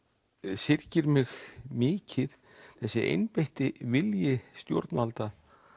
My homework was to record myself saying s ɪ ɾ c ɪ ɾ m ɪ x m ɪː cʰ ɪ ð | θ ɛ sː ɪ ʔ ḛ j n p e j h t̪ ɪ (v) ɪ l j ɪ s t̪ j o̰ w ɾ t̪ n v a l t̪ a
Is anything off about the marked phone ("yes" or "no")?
no